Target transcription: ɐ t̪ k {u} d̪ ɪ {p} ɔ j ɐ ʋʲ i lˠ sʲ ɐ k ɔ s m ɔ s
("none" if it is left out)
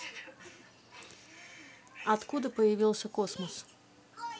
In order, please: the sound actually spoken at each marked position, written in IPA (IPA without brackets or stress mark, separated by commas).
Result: u, p